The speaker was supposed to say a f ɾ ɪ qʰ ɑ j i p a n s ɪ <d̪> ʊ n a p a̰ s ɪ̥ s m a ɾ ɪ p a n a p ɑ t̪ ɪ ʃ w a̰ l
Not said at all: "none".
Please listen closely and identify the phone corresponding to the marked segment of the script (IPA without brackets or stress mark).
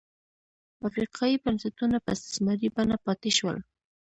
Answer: t̪